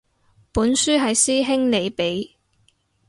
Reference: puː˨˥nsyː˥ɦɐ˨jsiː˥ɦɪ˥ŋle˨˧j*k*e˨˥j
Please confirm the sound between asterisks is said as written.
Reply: no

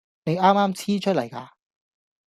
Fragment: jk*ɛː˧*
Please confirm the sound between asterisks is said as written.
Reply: no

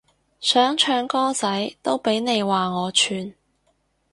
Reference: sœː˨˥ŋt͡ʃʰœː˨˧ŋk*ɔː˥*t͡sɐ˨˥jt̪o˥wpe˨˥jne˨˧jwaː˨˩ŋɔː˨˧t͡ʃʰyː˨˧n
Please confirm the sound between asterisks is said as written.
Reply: yes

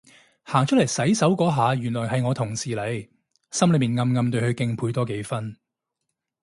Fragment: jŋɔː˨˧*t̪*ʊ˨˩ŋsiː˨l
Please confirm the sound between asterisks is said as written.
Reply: no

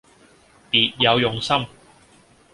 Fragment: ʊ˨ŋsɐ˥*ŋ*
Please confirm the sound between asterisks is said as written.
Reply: no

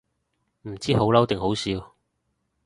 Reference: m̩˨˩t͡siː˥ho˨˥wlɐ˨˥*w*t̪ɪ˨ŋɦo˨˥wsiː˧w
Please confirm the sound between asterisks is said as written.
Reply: yes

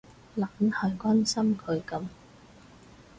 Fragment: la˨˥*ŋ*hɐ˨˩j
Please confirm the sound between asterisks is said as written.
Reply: no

